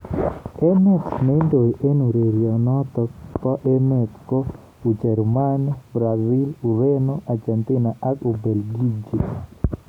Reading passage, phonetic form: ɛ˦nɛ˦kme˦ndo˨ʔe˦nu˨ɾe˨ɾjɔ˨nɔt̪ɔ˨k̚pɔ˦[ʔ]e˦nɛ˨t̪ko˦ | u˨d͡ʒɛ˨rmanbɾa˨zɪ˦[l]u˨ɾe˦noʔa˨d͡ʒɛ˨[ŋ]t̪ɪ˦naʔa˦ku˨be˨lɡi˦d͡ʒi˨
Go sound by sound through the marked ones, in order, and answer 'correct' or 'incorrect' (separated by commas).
correct, correct, incorrect